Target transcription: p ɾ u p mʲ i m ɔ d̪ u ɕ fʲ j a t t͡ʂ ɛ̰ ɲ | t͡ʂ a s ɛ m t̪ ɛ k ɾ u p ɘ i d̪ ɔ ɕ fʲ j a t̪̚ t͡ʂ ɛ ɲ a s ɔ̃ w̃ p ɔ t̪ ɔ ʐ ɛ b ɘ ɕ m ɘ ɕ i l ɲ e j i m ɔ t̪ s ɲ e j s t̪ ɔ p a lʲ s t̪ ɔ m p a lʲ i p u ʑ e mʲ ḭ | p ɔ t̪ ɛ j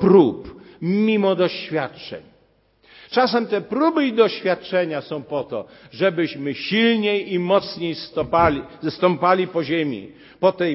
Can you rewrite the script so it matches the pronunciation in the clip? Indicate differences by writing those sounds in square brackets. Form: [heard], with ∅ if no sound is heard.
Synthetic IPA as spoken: p ɾ u p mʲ i m ɔ d̪ [ɔ] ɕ fʲ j a t t͡ʂ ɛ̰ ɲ | t͡ʂ a s ɛ m t̪ ɛ [p] ɾ u [b] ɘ i d̪ ɔ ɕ fʲ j a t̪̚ t͡ʂ ɛ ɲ a s ɔ̃ w̃ p ɔ t̪ ɔ ʐ ɛ b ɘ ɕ m ɘ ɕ i l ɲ e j i m ɔ t̪ s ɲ e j s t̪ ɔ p a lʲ s t̪ ɔ m p a lʲ i p [ɔ] ʑ e mʲ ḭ | p ɔ t̪ ɛ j